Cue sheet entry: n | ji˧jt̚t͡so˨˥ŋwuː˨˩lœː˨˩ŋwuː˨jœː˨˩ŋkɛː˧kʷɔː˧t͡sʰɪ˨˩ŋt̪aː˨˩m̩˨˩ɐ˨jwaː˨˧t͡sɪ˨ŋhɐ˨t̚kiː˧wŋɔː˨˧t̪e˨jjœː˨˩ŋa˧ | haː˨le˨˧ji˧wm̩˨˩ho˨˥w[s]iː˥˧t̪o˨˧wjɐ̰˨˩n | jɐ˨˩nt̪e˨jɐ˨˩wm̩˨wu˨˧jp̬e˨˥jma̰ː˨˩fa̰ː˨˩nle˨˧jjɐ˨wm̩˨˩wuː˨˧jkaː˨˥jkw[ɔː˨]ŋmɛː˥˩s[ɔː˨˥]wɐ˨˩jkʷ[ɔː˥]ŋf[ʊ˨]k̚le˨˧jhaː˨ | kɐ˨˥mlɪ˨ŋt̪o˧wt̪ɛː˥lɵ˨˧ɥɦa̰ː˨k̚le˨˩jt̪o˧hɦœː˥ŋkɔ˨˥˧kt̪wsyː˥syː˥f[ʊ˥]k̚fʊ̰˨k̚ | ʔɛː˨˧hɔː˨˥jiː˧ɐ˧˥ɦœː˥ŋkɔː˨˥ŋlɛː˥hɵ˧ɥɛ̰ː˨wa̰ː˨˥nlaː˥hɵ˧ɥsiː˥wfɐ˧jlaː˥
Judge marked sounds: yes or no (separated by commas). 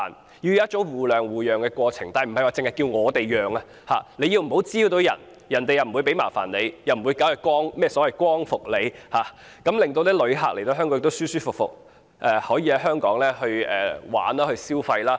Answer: no, no, no, yes, yes, no